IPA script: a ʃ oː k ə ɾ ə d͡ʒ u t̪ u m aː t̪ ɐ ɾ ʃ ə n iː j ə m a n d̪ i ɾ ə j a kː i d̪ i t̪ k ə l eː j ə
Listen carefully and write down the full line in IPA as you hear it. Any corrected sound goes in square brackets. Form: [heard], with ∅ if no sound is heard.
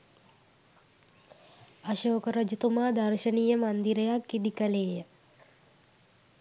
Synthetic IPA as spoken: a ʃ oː k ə ɾ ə d͡ʒ u t̪ u m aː [d̪] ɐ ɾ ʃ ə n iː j ə m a n d̪ i ɾ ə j a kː i d̪ i [∅] k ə l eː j ə

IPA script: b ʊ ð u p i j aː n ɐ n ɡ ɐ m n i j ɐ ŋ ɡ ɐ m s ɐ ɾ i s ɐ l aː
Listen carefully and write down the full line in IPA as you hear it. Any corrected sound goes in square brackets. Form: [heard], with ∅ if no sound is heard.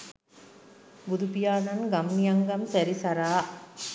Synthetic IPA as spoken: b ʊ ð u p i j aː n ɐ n ɡ ɐ m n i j ɐ ŋ ɡ ɐ m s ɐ ɾ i s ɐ [ɾ] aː

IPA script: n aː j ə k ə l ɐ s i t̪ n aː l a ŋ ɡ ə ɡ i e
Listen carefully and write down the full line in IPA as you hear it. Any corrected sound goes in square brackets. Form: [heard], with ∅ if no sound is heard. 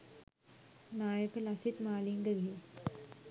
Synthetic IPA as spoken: n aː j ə k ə l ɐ s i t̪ [m] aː l [i] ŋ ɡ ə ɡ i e

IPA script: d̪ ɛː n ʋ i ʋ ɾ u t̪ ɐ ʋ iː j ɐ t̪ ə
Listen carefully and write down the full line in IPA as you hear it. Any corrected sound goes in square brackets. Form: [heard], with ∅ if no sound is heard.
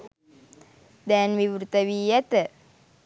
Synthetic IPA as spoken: d̪ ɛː n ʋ i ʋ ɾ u t̪ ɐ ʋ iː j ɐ t̪ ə

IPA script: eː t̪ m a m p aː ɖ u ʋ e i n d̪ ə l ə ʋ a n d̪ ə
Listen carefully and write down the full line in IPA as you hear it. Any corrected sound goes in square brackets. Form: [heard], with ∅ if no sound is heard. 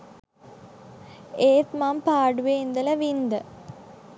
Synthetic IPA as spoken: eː t̪ m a m p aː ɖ u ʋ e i n d̪ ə l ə ʋ [i] n d̪ ə

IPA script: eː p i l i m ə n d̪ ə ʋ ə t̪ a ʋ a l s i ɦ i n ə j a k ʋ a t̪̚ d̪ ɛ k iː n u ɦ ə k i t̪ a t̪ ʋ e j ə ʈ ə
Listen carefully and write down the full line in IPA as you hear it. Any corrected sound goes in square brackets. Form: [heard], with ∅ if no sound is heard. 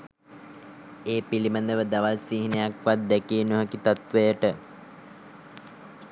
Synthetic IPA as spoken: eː p i l i m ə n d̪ ə ʋ ə [d̪] a ʋ a l s i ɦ i n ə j a k ʋ a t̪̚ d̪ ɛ k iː n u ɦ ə k i t̪ a t̪ ʋ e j ə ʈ ə

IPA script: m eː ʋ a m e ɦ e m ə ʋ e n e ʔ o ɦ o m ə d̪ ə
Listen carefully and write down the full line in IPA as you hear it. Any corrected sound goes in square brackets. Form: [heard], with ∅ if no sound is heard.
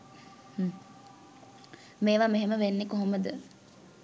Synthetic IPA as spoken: m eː ʋ a m e ɦ e m ə ʋ e [nː] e [k] o ɦ o m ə d̪ ə

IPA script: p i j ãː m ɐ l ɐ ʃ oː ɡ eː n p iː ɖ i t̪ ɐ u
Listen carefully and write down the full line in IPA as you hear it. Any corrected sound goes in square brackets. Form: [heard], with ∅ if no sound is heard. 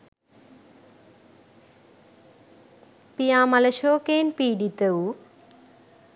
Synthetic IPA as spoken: p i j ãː m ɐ l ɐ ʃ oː [k] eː n p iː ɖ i t̪ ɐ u

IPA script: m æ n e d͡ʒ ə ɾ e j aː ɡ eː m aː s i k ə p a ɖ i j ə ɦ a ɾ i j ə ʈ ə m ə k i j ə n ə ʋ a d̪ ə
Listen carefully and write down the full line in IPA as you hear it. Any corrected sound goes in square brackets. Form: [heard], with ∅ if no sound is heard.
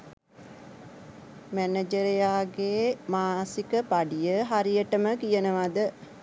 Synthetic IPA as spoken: m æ n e d͡ʒ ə ɾ e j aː ɡ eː m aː s i k ə p a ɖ i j ə ɦ a ɾ i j ə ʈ ə m ə k i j ə n ə ʋ a d̪ ə

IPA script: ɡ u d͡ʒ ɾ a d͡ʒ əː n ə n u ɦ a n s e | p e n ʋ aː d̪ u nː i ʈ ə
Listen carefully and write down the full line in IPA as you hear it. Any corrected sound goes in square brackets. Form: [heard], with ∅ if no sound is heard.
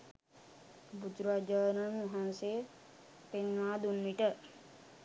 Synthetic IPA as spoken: [b] u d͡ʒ ɾ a d͡ʒ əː n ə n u ɦ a n s e | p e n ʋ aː d̪ u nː i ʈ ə

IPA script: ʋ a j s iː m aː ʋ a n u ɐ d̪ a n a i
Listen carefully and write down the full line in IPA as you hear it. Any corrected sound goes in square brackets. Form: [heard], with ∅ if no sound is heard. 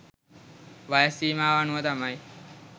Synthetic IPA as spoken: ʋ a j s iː m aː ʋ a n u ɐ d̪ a [m] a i

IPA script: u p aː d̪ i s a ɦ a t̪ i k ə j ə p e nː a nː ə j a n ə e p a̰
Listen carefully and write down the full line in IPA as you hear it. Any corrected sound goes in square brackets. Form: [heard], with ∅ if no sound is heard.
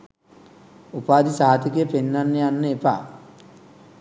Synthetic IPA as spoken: u p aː d̪ i s a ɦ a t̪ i k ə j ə p e nː a nː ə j a [nː] ə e p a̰

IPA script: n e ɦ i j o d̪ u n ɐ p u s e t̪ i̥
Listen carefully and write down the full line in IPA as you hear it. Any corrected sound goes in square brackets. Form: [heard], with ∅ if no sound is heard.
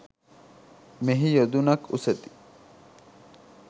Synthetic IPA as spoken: [m] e ɦ i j o d̪ u n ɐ [k] u s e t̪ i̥

